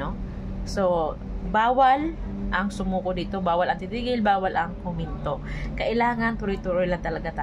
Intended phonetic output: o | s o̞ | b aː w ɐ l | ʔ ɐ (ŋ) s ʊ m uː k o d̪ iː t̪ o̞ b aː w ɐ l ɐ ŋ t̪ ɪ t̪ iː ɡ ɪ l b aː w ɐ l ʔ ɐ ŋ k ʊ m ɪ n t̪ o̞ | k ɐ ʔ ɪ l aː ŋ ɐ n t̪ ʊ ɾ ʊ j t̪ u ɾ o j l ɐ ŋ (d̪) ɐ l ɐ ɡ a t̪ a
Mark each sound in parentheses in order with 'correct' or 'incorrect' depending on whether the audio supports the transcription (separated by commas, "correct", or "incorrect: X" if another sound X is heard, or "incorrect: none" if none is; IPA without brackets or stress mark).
correct, incorrect: t̪